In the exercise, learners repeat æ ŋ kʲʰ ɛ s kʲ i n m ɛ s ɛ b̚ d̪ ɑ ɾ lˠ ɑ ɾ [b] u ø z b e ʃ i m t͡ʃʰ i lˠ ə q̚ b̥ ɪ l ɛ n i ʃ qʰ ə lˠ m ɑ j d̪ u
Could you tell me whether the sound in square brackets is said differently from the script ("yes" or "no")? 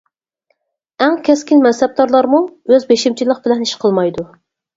yes